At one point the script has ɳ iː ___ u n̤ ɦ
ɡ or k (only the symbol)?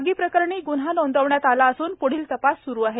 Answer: ɡ